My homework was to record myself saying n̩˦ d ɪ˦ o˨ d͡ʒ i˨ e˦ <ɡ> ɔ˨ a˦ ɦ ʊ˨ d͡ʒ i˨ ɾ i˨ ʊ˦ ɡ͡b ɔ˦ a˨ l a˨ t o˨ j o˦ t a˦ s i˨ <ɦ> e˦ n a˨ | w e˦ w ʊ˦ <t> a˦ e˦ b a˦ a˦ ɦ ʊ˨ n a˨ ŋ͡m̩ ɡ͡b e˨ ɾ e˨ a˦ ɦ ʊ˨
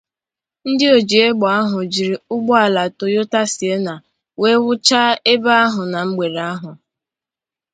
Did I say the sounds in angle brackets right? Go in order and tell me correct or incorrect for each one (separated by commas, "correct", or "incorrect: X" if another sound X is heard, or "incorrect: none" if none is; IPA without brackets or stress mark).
incorrect: ɡ͡b, incorrect: none, incorrect: t͡ʃ